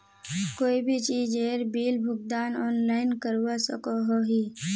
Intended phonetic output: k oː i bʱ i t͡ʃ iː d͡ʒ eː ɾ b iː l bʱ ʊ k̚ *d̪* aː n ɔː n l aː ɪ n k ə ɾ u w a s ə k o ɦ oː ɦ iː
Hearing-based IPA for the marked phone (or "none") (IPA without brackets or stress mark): d̪